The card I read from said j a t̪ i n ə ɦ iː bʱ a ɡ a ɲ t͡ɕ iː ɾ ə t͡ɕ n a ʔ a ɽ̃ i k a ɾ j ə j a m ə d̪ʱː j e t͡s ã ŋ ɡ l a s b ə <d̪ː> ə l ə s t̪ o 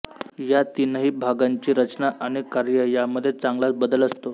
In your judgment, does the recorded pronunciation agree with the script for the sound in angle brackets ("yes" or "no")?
no